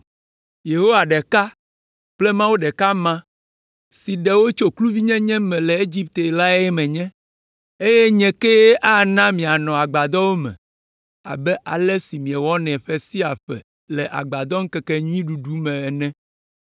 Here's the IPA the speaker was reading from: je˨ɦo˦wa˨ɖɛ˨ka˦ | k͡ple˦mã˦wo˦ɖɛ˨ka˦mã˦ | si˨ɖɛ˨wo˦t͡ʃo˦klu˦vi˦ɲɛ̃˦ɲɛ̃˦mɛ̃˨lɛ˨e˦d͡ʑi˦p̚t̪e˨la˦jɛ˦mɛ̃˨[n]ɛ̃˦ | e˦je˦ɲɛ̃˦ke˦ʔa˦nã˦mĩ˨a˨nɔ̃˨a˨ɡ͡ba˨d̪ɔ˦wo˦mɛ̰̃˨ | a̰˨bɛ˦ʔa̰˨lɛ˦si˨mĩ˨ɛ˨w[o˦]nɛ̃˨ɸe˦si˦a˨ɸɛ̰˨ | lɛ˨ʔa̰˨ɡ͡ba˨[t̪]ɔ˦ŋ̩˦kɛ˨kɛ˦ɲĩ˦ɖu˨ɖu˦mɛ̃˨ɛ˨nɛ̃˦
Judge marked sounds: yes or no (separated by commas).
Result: no, no, no